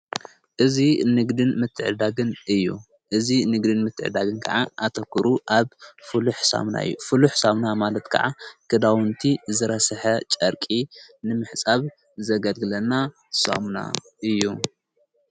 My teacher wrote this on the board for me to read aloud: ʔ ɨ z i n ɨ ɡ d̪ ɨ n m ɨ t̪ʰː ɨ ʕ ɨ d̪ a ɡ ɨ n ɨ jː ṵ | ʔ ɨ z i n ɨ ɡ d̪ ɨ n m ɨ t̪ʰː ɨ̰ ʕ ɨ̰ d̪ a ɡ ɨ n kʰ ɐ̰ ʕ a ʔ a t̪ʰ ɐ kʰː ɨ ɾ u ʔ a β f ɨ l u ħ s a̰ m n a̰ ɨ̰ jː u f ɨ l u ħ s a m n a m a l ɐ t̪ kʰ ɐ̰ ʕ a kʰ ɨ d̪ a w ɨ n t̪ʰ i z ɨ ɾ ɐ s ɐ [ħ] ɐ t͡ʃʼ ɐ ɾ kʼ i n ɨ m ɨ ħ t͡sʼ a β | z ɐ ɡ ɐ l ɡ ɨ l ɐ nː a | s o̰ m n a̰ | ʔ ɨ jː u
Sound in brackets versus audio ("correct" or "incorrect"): correct